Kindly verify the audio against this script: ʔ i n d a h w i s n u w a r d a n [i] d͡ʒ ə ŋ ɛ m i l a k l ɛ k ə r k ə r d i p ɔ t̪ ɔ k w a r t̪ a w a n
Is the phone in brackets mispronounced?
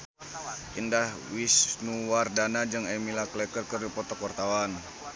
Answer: yes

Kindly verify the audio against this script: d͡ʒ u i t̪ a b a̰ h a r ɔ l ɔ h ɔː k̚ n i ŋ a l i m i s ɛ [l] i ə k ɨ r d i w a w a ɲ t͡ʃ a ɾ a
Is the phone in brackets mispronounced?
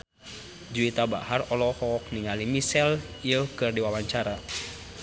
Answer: no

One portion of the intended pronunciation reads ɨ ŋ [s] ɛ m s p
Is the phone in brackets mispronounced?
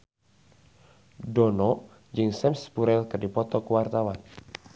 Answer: no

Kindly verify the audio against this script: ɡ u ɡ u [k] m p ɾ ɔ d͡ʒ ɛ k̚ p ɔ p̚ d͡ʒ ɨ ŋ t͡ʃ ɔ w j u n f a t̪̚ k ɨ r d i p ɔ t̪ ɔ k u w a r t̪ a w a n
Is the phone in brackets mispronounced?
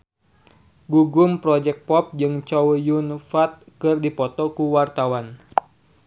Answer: yes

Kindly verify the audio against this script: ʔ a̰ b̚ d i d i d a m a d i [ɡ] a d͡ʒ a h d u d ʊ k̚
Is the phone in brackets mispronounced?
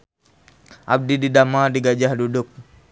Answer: no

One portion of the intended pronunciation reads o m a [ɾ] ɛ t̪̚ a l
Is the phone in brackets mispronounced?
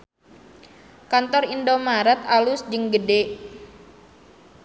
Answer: no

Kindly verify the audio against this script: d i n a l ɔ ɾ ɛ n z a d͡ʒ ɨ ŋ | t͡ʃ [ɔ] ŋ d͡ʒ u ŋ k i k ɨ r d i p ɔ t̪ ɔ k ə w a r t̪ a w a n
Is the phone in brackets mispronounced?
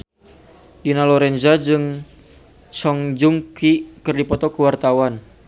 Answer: no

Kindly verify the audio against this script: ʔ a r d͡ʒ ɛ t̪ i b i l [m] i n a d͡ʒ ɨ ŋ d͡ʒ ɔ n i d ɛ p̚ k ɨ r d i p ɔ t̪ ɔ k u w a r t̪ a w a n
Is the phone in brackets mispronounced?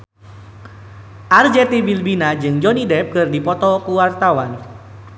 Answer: yes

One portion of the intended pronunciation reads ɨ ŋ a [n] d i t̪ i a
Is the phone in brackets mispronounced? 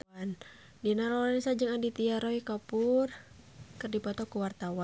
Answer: no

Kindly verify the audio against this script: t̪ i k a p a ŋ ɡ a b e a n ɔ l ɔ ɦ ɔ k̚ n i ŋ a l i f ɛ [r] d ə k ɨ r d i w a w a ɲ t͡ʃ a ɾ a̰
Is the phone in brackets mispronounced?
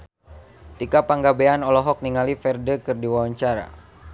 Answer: no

